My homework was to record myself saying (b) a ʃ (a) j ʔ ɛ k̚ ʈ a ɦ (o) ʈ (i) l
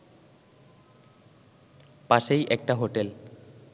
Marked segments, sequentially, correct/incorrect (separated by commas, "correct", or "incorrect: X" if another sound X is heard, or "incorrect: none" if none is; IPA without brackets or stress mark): incorrect: p, incorrect: e, correct, incorrect: e